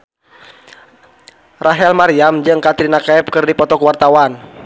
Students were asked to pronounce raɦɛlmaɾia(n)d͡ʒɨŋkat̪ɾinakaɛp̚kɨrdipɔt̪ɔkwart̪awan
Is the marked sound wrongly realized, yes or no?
yes